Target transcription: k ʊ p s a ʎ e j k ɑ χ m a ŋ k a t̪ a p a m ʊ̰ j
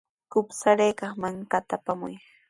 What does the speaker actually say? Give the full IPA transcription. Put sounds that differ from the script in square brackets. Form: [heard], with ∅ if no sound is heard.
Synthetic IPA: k ʊ p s a [ɾ] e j k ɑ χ m a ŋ k a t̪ a p a m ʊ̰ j